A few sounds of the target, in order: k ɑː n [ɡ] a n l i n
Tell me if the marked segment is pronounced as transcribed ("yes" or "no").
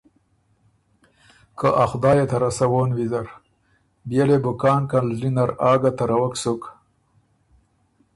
no